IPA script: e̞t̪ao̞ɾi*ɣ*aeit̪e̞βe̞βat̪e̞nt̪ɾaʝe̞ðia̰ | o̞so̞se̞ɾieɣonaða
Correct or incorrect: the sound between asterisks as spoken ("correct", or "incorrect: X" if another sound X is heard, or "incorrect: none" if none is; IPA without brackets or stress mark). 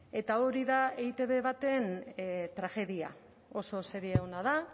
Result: incorrect: ð